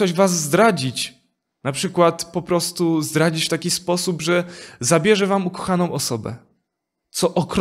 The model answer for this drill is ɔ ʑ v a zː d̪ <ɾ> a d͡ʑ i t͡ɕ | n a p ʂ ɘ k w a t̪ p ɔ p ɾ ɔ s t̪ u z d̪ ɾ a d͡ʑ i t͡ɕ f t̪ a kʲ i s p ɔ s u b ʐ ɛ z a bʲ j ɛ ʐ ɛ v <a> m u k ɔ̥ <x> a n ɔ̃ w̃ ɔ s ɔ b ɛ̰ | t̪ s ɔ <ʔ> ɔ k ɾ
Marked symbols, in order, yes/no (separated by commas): yes, yes, yes, yes